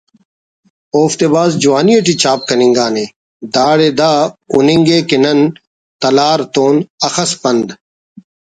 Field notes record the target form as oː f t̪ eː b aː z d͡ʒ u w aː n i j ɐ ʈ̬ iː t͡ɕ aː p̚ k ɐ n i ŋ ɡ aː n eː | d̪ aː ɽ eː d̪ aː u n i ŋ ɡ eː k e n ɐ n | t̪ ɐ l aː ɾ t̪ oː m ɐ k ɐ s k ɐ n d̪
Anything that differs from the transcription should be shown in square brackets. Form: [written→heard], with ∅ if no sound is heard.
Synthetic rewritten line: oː f t̪ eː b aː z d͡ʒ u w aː n i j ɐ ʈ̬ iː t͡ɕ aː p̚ k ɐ n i ŋ ɡ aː n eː | d̪ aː ɽ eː d̪ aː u n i ŋ ɡ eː k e n ɐ n | t̪ ɐ l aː ɾ t̪ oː [m→n] ɐ [k→x] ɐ s [k→p] ɐ n d̪

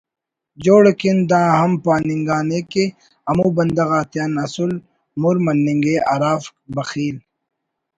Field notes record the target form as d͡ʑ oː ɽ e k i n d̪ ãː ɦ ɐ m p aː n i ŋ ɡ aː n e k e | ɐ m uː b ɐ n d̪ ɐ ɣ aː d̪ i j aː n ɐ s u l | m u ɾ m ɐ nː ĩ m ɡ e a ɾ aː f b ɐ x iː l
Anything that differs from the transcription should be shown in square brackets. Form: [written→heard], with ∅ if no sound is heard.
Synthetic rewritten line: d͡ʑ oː ɽ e k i n d̪ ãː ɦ ɐ m p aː n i ŋ ɡ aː n e k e | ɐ m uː b ɐ n d̪ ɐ ɣ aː [d̪→t̪] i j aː n ɐ s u l | m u ɾ m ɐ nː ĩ [m→ŋ] ɡ e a ɾ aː f b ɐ x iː l

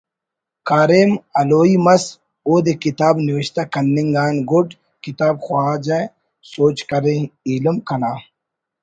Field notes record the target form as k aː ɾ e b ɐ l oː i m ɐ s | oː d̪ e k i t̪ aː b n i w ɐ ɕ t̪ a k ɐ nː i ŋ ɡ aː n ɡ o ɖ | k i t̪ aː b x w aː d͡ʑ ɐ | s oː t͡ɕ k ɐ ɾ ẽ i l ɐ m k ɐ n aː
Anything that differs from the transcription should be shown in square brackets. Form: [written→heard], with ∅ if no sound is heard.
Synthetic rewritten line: k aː ɾ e [b→m] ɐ l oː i m ɐ s | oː d̪ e k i t̪ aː b n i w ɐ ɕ t̪ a k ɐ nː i ŋ ɡ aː n ɡ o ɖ | k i t̪ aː b x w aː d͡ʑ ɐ | s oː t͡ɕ k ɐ ɾ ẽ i l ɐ m k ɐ n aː

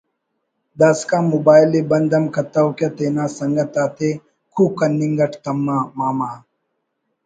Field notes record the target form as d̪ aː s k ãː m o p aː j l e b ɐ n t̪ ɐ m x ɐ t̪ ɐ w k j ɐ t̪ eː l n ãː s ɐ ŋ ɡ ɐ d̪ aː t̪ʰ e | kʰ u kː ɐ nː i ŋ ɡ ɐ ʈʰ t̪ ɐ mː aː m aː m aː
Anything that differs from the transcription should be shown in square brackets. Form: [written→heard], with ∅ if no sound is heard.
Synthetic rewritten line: d̪ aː s k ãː m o [p→b] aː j l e b ɐ n [t̪→d̪] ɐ m [x→k] ɐ t̪ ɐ w k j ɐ t̪ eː [l→∅] n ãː s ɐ ŋ ɡ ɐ [d̪→t̪] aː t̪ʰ e | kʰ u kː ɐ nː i ŋ ɡ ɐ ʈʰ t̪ ɐ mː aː m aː m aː

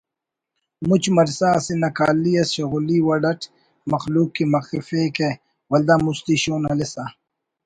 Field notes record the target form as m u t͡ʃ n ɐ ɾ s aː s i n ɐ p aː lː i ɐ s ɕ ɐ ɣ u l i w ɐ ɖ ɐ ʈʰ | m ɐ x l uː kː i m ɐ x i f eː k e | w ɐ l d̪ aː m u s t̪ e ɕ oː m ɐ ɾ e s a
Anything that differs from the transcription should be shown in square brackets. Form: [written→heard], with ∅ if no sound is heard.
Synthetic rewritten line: m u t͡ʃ [n→m] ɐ ɾ s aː s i n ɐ [p→k] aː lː i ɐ s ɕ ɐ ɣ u l i w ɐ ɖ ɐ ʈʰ | m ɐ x l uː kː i m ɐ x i f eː k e | w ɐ l d̪ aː m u s t̪ [e→i] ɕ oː [m→n] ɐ [ɾ→l] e s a

